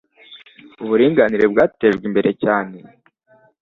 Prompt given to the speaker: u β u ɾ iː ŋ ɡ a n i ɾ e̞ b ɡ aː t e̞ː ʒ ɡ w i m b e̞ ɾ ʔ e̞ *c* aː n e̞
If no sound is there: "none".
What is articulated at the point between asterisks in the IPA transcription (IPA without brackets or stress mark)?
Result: c